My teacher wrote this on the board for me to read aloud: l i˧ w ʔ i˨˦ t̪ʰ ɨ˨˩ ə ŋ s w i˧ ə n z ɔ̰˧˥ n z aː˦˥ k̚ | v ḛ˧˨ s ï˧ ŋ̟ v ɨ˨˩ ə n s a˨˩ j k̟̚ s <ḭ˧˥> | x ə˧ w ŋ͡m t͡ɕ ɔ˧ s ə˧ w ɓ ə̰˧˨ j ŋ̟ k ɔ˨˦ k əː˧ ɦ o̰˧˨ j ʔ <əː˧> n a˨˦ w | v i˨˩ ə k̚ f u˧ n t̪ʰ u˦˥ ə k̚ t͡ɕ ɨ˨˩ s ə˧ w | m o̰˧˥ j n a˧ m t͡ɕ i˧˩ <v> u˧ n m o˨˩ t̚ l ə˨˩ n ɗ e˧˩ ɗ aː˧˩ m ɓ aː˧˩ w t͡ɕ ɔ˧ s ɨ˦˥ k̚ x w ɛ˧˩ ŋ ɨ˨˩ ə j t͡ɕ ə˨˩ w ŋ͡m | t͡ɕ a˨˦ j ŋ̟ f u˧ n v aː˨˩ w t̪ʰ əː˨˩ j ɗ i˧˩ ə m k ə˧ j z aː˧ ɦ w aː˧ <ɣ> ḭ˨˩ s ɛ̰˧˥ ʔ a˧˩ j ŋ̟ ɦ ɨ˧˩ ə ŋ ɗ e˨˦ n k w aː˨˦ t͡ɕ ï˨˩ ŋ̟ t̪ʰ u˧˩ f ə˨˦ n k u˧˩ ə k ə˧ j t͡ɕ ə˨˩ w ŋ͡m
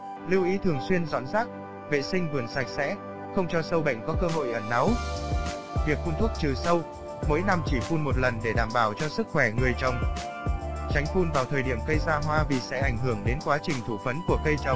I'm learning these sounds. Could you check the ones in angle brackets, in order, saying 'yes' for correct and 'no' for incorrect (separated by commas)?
no, no, no, no